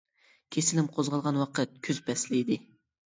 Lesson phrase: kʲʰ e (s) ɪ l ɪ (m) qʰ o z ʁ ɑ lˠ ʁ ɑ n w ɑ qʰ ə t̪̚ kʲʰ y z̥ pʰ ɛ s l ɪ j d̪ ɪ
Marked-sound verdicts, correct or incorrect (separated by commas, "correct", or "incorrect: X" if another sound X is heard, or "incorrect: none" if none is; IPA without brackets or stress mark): correct, correct